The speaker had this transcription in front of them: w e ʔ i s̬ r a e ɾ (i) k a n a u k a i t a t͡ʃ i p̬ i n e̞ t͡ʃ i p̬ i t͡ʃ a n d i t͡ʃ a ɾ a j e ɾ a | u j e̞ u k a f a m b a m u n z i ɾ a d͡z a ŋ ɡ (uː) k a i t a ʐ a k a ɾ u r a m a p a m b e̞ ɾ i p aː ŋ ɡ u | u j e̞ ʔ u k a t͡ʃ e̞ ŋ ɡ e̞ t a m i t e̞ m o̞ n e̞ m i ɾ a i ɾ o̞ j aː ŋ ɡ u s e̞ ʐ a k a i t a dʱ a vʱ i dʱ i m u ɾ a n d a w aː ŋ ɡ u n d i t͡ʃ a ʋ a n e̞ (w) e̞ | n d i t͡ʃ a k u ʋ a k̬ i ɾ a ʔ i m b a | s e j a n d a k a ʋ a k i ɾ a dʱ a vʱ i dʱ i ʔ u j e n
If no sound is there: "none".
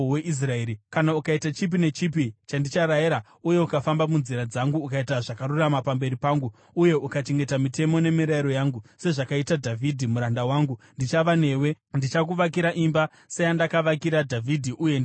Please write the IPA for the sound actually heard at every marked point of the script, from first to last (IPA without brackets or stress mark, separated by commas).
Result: i, uː, w